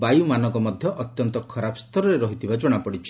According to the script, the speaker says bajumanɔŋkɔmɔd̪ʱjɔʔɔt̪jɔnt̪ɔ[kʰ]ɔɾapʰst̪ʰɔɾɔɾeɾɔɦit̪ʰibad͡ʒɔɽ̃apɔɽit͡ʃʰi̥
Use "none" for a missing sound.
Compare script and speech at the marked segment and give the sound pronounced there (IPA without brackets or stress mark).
kʰ